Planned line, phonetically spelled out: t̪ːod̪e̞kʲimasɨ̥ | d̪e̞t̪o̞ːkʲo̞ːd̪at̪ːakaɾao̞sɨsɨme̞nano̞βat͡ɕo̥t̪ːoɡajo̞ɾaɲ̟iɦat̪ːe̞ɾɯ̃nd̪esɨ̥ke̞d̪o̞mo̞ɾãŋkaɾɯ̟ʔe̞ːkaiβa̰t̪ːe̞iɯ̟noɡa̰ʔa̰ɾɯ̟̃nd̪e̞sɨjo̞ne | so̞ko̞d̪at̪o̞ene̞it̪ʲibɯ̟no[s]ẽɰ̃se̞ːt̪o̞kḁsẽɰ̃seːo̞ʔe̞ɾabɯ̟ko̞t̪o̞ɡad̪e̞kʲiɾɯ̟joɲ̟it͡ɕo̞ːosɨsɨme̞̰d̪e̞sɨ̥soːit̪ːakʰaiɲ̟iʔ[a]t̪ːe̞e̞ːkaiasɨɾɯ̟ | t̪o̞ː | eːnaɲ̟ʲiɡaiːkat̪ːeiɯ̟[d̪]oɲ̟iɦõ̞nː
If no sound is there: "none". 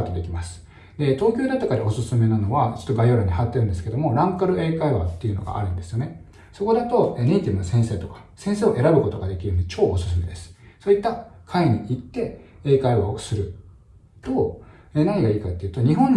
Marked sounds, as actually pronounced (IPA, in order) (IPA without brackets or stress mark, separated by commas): s, i, t̪